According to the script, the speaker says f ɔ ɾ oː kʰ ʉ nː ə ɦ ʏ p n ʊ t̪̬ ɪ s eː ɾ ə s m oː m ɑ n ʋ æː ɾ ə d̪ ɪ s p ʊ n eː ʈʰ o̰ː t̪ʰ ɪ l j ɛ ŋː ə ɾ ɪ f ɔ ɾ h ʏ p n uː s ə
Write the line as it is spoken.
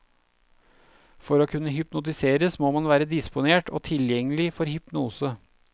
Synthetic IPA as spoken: f ɔ ɾ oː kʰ ʉ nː ə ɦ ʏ p n ʊ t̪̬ ɪ s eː ɾ ə s m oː m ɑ n ʋ æː ɾ ə d̪ ɪ s p ʊ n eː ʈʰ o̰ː t̪ʰ ɪ l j ɛ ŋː ə l ɪ f ɔ ɾ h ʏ p n uː s ə